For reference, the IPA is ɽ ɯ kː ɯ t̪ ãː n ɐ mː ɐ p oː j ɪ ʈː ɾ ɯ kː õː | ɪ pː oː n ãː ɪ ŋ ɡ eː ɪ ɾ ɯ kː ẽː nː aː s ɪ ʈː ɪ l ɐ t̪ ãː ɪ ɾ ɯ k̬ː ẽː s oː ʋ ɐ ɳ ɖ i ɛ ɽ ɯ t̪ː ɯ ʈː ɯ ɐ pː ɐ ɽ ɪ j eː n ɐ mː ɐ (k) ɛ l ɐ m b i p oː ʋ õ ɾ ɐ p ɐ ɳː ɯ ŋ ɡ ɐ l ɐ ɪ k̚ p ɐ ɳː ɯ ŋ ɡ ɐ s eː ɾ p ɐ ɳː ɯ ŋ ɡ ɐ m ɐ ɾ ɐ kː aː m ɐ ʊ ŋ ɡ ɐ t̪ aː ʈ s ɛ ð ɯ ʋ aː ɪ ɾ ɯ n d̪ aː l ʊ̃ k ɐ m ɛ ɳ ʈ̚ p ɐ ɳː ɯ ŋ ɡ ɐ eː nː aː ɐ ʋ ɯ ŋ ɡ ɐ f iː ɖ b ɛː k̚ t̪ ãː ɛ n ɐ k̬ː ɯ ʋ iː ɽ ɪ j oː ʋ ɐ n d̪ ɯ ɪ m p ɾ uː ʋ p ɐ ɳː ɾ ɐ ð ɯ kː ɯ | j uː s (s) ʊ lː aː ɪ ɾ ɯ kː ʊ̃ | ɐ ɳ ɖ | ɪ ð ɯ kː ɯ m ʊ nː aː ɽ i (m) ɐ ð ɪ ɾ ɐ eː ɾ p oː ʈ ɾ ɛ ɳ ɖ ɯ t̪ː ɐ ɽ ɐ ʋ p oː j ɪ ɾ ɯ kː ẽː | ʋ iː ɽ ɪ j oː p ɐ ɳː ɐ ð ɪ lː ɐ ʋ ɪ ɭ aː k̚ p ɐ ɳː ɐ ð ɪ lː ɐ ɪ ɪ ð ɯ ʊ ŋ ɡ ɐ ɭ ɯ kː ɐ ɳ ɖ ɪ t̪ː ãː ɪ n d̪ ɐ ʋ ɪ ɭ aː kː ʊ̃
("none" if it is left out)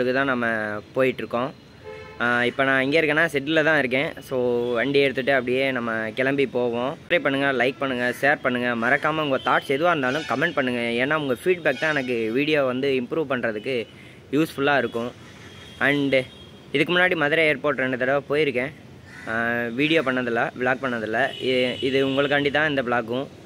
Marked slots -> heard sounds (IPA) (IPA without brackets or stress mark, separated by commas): k, f, m